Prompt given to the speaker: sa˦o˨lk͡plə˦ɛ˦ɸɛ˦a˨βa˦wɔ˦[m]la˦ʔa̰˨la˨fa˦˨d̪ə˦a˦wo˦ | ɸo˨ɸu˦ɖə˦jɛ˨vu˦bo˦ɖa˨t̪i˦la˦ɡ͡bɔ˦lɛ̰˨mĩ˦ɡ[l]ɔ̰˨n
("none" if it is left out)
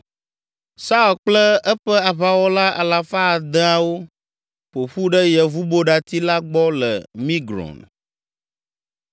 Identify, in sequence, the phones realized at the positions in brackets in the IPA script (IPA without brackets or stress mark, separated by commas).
none, ɾ